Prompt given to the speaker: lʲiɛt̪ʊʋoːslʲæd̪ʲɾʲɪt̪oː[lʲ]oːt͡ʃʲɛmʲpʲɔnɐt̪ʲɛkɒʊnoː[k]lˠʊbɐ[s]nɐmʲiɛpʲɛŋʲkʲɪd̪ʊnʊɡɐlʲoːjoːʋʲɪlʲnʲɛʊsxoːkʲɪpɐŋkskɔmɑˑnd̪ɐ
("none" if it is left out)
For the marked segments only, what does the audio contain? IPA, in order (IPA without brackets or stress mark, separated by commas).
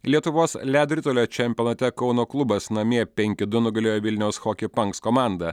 lʲ, k, s